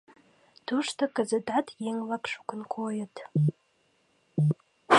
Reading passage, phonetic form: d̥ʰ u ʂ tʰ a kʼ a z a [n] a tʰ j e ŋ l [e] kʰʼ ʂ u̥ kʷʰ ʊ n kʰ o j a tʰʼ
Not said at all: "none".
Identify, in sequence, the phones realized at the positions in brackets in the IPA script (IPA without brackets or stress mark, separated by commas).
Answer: d, a